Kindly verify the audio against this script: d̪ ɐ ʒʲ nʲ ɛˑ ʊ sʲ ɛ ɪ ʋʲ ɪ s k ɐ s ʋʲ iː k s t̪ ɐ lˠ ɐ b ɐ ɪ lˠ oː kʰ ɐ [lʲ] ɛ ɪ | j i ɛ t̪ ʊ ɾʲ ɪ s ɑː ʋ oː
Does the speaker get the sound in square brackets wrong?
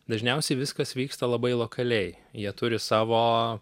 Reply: no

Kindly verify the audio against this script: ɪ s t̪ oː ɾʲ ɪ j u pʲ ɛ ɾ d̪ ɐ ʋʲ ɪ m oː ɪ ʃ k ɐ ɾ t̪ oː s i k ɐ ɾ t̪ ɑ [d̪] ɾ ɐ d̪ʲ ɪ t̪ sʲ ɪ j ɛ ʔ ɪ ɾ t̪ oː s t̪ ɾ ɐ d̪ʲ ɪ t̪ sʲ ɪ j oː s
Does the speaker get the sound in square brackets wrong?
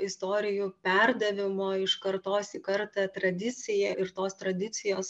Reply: yes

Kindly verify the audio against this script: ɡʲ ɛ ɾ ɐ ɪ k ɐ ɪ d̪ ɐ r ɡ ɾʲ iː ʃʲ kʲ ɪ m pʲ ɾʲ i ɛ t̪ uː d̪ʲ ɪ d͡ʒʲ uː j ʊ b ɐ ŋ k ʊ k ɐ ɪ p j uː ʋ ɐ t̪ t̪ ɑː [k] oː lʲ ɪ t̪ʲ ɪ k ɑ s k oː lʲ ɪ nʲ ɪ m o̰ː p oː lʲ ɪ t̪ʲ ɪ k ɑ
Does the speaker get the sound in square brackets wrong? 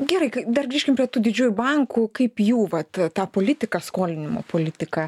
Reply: yes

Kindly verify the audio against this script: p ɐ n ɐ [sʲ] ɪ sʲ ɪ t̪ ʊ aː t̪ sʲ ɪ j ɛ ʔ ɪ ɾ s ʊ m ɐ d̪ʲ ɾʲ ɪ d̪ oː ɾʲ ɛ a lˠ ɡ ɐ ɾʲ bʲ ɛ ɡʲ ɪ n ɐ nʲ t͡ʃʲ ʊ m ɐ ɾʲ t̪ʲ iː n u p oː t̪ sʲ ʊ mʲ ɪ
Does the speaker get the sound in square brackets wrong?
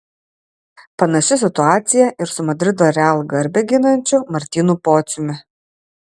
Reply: yes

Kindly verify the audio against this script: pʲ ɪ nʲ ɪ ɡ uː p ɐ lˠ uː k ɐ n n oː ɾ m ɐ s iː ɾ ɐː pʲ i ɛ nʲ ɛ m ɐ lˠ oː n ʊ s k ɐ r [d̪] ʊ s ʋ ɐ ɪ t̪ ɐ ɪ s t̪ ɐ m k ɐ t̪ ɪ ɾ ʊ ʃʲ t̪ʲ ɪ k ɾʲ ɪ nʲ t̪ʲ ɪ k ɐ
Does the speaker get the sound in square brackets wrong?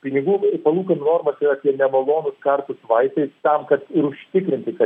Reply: yes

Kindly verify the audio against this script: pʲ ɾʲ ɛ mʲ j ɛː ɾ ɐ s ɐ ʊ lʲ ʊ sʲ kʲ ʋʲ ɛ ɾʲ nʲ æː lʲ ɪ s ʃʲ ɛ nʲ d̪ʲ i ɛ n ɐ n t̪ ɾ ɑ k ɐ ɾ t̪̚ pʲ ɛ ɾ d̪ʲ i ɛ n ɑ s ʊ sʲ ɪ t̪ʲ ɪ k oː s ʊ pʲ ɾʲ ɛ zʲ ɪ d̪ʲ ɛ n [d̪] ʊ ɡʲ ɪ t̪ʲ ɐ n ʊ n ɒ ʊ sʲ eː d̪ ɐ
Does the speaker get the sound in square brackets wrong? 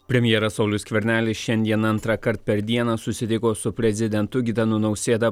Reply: yes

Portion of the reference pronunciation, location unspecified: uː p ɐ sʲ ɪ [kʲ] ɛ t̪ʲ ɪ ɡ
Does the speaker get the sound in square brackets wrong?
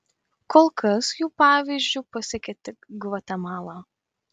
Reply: no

